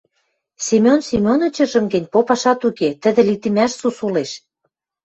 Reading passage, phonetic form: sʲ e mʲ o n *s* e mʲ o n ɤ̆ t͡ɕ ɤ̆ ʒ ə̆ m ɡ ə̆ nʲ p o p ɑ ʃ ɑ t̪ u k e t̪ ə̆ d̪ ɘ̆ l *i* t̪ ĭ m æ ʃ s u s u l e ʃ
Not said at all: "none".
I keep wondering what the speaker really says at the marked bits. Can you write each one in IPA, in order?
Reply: s, i

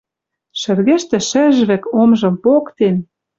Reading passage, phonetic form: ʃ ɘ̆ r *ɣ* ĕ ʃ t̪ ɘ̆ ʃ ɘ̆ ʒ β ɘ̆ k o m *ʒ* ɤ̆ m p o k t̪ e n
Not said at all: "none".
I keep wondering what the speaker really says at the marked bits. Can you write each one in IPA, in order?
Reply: ɣ, ʒ

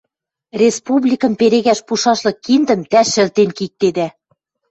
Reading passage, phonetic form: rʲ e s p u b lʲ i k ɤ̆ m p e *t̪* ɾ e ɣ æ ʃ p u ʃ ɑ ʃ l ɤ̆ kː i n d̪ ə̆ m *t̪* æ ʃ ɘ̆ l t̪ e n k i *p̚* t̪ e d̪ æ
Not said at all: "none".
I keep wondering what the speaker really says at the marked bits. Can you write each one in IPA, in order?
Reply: none, t̪, k̚

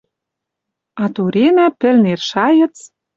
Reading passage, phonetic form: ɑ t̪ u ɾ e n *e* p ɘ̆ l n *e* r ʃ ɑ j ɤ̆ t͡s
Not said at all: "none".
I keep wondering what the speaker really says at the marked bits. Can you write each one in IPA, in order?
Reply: æ, e

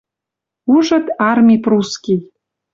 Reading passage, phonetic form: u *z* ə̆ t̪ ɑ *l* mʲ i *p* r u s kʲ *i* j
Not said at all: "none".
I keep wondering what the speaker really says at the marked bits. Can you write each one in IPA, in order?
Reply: ʒ, r, p, i

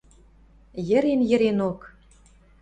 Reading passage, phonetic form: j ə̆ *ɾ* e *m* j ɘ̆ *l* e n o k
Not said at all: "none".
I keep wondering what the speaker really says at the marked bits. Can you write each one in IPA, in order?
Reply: ɾ, n, ɾ

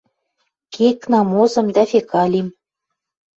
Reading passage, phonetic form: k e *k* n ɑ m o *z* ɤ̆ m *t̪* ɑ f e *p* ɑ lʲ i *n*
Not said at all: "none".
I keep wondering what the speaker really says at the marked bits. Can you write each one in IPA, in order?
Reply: k, z, d̪, k, m

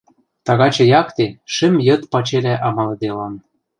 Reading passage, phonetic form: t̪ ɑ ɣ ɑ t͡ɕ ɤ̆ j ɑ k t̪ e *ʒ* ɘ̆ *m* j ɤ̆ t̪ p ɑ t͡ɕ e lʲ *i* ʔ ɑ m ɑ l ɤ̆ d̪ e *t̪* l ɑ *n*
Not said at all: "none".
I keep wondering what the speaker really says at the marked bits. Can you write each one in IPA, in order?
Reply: ʃ, m, æ, none, n

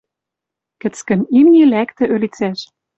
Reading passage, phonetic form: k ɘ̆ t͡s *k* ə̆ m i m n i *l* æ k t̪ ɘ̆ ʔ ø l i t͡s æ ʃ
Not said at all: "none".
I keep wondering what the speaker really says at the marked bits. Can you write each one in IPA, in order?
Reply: k, l

